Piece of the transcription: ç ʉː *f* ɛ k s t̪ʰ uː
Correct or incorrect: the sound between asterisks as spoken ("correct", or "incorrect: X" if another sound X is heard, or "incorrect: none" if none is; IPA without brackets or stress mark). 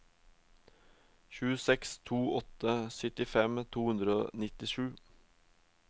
incorrect: s